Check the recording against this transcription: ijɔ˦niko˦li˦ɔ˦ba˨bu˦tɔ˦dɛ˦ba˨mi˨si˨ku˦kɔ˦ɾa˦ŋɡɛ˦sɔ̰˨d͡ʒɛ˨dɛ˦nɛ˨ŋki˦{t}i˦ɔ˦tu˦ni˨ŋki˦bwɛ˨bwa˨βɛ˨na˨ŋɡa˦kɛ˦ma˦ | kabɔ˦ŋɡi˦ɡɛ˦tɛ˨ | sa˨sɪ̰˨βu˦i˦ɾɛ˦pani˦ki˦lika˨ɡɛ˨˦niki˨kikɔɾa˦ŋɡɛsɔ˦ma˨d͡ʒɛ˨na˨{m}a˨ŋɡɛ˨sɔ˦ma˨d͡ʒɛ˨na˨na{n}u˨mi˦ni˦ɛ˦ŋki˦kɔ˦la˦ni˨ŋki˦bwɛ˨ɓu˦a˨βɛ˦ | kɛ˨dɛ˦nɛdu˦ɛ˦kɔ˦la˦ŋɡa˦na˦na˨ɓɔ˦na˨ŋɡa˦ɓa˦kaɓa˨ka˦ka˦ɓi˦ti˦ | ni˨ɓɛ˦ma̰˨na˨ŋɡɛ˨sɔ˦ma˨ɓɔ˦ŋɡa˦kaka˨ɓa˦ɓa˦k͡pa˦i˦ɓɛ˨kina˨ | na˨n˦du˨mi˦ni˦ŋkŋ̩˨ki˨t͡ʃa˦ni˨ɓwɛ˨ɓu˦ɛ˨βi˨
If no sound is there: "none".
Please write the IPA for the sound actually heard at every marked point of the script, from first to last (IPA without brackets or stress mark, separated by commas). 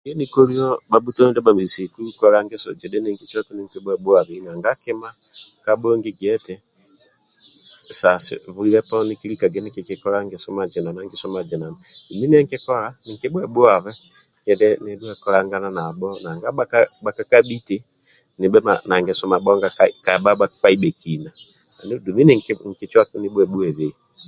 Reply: t͡ʃ, n, d